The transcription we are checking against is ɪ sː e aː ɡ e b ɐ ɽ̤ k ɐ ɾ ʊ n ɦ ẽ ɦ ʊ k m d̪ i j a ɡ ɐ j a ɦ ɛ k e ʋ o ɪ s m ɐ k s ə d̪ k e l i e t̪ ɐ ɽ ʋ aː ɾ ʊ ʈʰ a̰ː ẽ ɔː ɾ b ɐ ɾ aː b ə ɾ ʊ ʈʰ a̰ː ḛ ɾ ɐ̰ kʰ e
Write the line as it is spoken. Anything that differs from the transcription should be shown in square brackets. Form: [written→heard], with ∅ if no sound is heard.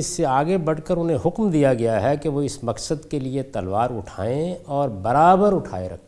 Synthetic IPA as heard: ɪ sː e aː ɡ e b ɐ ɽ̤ k [ɐ→ə] ɾ ʊ n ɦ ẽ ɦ ʊ k m d̪ i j a ɡ ɐ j a ɦ ɛ k e ʋ o ɪ s m ɐ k s ə d̪ k e l i e t̪ ɐ [ɽ→l] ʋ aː ɾ ʊ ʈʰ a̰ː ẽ ɔː ɾ b ɐ ɾ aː b ə ɾ ʊ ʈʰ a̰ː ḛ ɾ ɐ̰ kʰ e